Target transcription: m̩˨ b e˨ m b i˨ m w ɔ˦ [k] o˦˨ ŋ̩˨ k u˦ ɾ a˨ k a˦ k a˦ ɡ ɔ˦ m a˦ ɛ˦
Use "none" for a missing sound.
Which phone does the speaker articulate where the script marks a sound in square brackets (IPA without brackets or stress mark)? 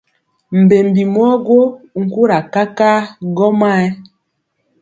ɡ